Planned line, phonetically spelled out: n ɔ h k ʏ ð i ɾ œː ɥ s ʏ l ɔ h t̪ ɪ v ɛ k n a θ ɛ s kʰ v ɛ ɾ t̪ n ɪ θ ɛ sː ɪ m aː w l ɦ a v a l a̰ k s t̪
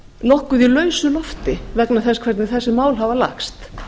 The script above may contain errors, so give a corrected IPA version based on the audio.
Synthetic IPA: n ɔ h k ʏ ð i l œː ɥ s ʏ l ɔ f t̪ ɪ v ɛ k n a θ ɛ s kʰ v ɛ ɾ t̪ n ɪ θ ɛ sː ɪ m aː w l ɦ a v a l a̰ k s t̪

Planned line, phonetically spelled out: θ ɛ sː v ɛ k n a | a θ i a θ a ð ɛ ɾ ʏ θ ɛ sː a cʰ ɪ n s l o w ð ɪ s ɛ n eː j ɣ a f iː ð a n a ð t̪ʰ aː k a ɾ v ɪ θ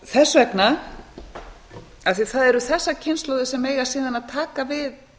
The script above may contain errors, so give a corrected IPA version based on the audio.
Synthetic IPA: θ ɛ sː v ɛ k n a | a θ i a θ a ð ɛ ɾ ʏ θ ɛ sː a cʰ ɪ n s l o w ð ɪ s ɛ m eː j ɣ a s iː ð a n a ð t̪ʰ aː k a v ɪ ð

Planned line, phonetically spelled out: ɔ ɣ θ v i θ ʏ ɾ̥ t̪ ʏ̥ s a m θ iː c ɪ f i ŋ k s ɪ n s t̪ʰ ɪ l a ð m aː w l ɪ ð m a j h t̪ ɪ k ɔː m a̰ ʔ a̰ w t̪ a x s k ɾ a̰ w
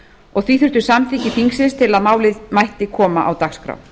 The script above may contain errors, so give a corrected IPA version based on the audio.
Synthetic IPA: ɔ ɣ θ v i θ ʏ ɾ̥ t̪ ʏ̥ s a m θ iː c ɪ f i ŋ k s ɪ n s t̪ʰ ɪ l a ð m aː w l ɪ ð m a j h t̪ ɪ kʰ ɔː m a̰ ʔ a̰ w t̪ a x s k ɾ a̰ w

